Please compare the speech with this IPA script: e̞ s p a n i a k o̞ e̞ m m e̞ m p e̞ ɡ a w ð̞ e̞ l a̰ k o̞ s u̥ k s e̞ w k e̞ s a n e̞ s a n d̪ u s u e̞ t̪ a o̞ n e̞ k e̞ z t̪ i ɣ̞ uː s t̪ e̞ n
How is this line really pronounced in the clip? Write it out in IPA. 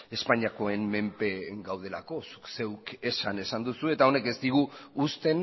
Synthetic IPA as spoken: e̞ s p a ɲ i a k o̞ e̞ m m e̞ m p e̞ ɡ a w ð̞ e̞ l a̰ k o̞ s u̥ k s e̞ w k e̞ s a n e̞ s a n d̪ u s u e̞ t̪ a o̞ n e̞ k e̞ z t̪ i ɣ̞ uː s t̪ e̞ n